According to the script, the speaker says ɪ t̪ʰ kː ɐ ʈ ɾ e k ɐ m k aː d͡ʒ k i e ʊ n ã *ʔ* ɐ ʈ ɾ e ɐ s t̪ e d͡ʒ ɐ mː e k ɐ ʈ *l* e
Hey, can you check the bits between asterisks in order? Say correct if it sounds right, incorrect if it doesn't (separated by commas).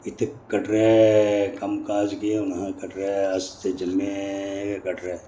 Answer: incorrect, incorrect